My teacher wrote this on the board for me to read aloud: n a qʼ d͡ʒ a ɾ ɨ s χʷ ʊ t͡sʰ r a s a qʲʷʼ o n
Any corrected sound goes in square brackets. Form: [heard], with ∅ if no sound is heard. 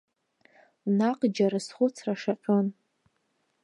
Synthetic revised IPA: n a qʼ d͡ʒ a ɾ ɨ s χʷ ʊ t͡sʰ r a [ʂ] a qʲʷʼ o n